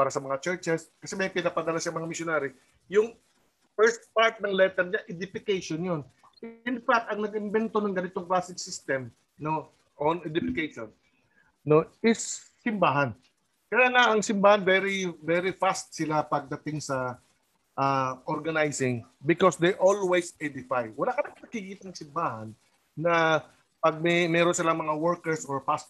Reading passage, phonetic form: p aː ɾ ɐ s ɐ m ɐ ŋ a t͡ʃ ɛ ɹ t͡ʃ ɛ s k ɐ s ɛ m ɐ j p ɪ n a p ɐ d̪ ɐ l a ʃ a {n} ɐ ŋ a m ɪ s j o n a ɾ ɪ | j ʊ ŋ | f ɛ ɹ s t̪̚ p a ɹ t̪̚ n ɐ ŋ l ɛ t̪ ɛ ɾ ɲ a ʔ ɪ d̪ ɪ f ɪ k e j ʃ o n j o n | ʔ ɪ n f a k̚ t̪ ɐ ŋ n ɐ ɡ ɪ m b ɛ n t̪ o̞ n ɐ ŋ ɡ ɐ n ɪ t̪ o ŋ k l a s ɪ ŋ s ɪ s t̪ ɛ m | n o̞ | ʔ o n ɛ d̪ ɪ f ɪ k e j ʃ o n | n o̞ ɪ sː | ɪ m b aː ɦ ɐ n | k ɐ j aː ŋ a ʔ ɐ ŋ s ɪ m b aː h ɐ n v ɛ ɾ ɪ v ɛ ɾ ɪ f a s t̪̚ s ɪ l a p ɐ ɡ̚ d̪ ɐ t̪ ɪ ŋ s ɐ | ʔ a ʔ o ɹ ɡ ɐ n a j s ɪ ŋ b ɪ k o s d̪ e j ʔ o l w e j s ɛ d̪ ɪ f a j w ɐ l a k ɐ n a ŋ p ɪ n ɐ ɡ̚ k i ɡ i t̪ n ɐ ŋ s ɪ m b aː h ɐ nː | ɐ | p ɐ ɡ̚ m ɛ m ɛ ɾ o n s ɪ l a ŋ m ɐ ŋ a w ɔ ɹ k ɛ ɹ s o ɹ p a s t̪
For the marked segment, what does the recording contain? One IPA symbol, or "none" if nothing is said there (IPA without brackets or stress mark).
m